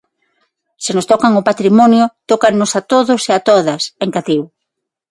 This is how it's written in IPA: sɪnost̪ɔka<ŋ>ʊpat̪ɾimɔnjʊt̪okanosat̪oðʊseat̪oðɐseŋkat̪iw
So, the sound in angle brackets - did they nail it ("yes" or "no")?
yes